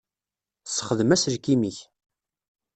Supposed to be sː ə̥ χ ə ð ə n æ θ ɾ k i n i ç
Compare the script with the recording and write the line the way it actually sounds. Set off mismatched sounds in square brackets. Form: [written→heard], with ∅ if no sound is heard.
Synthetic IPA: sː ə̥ χ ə ð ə [n→m] æ [θ→s] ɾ k i [n→m] i ç